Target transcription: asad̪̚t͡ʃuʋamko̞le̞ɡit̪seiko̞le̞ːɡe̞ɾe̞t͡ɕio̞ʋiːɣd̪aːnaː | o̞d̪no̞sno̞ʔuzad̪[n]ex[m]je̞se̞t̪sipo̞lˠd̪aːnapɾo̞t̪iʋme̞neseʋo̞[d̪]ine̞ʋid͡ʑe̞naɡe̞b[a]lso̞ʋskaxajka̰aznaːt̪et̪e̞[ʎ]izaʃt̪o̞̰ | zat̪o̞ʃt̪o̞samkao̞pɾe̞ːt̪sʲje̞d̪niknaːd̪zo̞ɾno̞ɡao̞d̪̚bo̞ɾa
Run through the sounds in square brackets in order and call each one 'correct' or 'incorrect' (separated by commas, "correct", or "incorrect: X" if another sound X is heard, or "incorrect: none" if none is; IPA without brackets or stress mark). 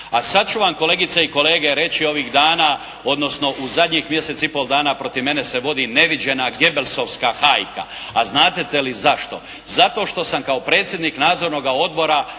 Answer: incorrect: ɲ, correct, correct, incorrect: e, incorrect: l